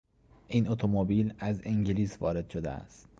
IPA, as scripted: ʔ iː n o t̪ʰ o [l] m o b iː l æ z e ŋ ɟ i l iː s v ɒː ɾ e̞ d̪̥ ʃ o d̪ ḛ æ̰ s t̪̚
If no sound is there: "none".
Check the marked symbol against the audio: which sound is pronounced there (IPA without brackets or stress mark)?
none